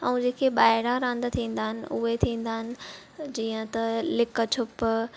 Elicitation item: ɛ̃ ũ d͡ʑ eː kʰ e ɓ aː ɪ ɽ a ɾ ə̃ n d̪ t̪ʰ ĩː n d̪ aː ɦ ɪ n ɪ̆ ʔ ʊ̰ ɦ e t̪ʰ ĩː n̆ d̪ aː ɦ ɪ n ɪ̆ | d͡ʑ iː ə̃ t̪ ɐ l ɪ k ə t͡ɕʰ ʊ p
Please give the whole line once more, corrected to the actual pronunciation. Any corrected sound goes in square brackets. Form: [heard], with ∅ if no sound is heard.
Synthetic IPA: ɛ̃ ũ d͡ʑ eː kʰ e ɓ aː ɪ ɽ a ɾ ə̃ n d̪ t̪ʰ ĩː n d̪ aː ɦ ɪ n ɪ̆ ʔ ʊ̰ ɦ e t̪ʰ ĩː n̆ d̪ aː ɦ ɪ n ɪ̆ | d͡ʑ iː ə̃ t̪ ɐ l ɪ k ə t͡ɕʰ ʊ p